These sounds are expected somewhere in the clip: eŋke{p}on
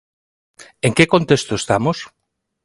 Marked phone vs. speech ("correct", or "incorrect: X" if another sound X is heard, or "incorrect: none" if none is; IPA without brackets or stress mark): incorrect: k